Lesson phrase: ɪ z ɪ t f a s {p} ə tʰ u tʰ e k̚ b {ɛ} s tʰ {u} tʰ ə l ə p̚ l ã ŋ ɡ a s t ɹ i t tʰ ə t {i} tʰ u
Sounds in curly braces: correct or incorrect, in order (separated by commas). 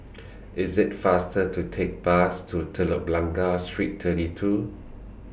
incorrect, incorrect, correct, correct